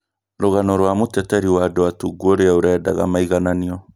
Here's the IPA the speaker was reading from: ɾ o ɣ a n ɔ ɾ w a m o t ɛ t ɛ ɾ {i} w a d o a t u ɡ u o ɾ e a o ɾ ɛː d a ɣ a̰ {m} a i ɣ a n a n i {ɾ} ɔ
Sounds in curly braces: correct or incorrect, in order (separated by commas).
correct, correct, incorrect